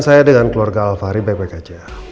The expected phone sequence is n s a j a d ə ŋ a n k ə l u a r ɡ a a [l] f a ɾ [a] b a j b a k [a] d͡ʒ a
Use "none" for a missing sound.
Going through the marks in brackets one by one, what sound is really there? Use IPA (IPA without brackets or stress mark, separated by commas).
l, i, a